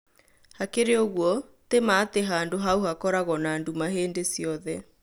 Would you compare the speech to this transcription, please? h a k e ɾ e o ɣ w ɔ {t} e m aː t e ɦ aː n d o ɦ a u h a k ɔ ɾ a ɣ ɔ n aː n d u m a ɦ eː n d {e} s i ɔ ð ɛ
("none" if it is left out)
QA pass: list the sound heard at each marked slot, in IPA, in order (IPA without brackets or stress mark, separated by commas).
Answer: t, e